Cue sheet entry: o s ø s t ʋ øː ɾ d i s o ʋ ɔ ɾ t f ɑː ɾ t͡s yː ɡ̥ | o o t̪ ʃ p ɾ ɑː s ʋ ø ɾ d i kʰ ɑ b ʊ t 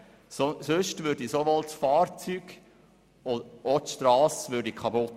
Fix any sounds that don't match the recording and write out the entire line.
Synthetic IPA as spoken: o s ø ʃ t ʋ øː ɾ d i s o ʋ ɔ l t f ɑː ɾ t͡s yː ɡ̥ | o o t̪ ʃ t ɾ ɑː s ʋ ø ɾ d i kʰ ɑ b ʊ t